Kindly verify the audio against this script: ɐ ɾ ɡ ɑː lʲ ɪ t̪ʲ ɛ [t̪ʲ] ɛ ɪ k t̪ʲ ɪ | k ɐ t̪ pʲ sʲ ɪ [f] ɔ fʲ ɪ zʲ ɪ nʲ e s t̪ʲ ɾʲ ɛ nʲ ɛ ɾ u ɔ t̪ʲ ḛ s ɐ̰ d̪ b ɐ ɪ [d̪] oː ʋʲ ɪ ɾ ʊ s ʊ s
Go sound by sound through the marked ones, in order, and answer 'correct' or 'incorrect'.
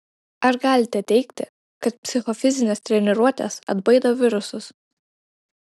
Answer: correct, incorrect, correct

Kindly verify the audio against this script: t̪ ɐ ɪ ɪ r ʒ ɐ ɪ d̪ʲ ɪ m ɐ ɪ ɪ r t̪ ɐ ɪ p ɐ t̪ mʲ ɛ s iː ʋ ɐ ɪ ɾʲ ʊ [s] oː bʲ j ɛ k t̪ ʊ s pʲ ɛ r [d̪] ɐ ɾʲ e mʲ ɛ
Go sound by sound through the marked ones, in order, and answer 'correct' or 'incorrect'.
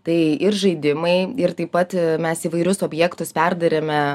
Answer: correct, correct

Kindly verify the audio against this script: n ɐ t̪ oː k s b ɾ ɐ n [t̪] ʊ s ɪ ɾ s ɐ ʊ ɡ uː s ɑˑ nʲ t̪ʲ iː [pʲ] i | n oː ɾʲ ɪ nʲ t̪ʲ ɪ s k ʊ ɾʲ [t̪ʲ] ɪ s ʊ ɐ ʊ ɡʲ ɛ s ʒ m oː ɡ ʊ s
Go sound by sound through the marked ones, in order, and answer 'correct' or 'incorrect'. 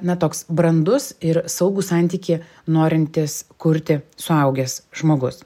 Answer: incorrect, incorrect, correct

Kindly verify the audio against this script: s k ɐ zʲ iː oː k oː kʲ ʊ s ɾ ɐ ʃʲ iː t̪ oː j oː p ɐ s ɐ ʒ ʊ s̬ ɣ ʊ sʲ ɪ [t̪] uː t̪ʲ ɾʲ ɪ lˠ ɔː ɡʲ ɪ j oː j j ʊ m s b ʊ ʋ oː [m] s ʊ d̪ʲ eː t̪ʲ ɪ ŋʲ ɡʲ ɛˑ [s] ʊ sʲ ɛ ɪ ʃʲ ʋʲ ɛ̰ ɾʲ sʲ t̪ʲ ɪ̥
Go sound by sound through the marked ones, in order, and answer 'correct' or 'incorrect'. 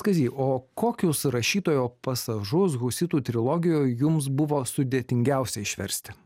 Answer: correct, incorrect, incorrect

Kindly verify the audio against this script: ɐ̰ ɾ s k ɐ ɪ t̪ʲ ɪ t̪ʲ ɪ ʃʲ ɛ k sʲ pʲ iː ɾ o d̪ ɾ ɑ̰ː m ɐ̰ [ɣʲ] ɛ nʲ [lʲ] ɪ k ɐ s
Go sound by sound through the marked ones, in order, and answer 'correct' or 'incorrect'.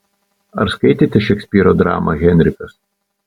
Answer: correct, incorrect

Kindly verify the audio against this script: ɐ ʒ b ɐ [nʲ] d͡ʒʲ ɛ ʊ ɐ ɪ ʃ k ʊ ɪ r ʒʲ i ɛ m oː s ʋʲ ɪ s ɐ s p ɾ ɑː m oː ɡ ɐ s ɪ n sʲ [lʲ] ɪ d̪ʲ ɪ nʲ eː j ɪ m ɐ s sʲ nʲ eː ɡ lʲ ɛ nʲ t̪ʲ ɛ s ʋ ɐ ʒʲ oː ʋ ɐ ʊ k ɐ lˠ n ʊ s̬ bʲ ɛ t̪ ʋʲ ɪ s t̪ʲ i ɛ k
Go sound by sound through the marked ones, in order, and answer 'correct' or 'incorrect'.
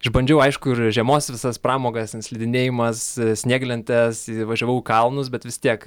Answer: correct, correct

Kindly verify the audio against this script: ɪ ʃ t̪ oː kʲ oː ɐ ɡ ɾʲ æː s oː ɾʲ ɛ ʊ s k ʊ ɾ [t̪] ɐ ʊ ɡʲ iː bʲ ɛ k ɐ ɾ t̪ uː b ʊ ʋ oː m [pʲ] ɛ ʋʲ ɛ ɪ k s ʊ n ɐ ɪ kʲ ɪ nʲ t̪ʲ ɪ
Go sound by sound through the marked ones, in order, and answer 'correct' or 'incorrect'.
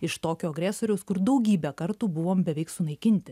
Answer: incorrect, incorrect

